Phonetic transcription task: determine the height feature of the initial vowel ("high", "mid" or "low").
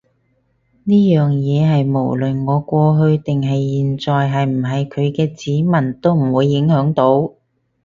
high